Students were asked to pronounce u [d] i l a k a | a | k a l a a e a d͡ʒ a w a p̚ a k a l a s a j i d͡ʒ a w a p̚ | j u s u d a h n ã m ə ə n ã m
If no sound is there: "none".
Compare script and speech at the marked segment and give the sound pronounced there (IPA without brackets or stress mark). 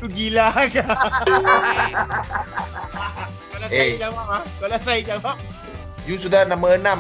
ɡ